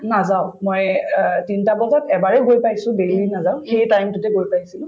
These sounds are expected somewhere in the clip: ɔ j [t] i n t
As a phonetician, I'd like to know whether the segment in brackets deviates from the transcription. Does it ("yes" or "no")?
no